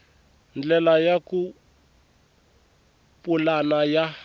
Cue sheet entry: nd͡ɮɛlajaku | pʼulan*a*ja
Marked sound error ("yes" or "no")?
no